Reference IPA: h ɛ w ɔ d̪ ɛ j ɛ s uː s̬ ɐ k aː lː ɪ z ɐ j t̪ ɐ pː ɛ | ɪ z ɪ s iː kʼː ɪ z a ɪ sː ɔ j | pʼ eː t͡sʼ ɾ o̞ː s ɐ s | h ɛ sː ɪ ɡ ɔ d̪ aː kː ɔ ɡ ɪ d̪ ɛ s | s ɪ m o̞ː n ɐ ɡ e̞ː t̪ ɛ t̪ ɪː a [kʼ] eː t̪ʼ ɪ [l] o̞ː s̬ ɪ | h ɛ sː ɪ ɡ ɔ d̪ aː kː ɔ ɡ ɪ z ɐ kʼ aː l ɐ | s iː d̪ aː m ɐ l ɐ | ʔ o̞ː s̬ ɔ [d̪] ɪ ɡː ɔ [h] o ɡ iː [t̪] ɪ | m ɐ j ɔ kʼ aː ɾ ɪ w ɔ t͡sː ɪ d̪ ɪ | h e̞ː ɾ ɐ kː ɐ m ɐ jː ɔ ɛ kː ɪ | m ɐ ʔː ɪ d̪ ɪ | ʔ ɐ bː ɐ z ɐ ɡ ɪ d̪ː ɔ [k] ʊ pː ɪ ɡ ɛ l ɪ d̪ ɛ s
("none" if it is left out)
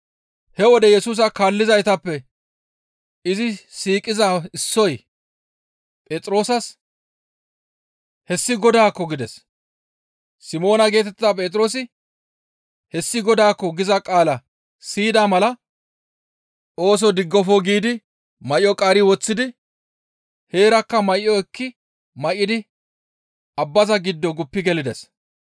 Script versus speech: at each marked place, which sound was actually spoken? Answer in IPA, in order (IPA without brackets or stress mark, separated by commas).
pʼ, ɾ, d̪, f, d̪, ɡ